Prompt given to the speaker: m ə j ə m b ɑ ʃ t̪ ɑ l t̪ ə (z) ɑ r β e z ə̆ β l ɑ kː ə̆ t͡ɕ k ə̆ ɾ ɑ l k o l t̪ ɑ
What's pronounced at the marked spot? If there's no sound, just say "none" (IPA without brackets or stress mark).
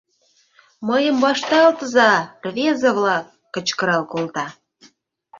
z